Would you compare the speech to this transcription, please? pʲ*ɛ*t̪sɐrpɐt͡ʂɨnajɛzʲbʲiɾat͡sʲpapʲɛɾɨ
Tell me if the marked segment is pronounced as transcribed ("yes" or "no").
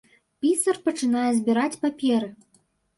no